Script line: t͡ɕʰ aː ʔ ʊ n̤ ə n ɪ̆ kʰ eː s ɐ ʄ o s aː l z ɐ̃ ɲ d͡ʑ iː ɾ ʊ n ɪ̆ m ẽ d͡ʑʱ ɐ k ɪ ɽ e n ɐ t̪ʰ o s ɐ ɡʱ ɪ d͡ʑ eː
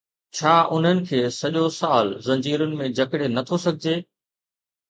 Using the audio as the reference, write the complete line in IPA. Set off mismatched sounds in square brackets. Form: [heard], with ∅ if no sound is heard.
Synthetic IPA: t͡ɕʰ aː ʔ ʊ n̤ ə n ɪ̆ kʰ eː s ɐ ʄ o s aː l z ɐ̃ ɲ d͡ʑ iː ɾ ʊ n ɪ̆ m ẽ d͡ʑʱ ɐ k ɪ ɽ e n ɐ t̪ʰ o s ɐ ɡʱ ɪ d͡ʑ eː